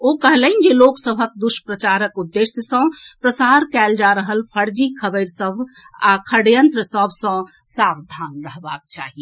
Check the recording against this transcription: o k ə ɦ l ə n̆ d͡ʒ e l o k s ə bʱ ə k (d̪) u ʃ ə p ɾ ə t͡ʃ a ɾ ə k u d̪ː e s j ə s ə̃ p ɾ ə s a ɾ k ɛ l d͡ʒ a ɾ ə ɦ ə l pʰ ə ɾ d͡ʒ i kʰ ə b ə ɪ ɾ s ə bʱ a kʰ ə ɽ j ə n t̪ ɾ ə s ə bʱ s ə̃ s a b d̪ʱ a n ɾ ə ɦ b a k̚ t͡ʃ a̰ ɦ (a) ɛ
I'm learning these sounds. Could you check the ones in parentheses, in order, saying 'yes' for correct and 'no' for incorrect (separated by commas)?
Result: yes, no